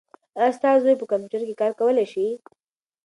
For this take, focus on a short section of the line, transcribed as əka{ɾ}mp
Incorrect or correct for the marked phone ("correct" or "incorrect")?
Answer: incorrect